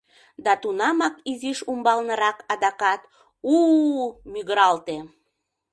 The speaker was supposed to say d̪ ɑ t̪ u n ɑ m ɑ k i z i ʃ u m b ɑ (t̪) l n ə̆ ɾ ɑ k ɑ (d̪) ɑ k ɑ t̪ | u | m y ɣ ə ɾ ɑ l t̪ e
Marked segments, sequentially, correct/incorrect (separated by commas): incorrect, correct